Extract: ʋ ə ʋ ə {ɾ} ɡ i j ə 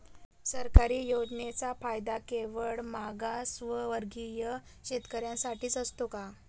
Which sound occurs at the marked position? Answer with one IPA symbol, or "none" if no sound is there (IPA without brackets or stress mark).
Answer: ɾ